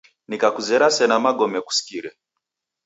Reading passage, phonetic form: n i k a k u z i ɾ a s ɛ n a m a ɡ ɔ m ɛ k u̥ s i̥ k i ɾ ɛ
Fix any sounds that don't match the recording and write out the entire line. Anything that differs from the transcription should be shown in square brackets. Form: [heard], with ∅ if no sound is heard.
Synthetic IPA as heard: n i k a k u z [ɛ] ɾ a s ɛ n a m a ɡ ɔ m ɛ k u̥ s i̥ k i ɾ ɛ